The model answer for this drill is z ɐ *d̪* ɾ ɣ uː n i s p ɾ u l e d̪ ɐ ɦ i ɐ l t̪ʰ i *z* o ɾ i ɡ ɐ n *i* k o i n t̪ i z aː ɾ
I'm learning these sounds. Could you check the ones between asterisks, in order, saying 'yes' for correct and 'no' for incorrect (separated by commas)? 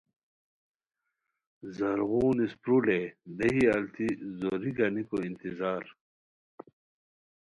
no, yes, yes